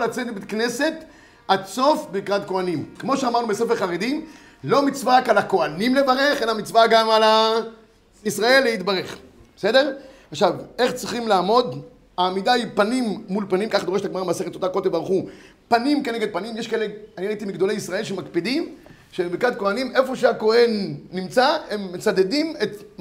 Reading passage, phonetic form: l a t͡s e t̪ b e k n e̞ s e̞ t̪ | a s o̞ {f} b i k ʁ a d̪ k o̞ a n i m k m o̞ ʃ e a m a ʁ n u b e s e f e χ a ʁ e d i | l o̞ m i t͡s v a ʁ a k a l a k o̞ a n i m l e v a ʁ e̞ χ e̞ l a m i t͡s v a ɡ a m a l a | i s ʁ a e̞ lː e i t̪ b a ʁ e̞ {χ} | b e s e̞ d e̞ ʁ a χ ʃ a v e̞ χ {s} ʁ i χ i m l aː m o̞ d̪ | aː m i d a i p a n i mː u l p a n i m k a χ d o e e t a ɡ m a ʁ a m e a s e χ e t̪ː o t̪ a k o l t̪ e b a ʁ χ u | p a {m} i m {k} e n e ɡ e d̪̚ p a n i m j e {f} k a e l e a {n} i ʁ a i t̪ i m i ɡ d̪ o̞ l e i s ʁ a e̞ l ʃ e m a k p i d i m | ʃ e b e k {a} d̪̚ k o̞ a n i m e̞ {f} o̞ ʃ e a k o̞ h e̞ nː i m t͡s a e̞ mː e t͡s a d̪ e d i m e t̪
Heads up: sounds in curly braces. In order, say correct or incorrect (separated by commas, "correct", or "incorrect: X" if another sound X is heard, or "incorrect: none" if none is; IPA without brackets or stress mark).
correct, correct, incorrect: t͡s, incorrect: n, correct, incorrect: ʃ, correct, correct, correct